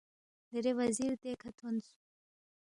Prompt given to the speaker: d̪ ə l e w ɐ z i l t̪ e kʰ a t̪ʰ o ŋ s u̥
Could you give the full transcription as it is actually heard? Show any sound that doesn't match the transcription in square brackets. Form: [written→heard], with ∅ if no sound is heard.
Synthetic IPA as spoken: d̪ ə [l→ɾ] e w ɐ z i [l→ɾ] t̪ e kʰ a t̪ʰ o [ŋ→n] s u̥